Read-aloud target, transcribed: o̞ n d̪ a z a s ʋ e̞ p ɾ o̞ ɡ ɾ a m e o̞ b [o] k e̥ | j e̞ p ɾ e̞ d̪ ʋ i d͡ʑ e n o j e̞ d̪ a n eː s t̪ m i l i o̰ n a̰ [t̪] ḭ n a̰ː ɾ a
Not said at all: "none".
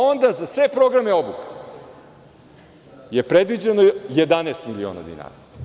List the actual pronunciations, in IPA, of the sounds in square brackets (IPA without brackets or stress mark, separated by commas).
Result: u, d̪